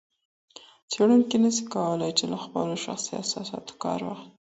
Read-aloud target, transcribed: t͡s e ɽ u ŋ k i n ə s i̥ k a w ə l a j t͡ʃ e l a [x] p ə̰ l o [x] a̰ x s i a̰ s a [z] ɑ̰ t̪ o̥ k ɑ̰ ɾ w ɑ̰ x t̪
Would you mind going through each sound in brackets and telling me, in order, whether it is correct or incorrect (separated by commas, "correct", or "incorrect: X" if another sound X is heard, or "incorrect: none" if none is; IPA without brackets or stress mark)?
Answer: correct, incorrect: ʃ, incorrect: s